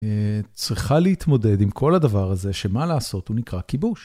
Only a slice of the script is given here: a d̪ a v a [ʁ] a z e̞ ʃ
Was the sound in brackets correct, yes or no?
yes